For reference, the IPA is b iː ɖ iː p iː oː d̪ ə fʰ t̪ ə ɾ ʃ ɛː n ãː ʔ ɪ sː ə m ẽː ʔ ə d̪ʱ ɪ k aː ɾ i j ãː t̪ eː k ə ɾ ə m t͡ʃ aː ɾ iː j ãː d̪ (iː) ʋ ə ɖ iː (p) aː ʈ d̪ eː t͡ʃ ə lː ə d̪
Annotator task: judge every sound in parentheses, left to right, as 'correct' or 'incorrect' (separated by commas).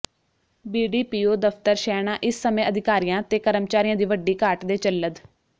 correct, incorrect